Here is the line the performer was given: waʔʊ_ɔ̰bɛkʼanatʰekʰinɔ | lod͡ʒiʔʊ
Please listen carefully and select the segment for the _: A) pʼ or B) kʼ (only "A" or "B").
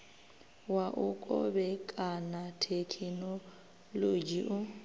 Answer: B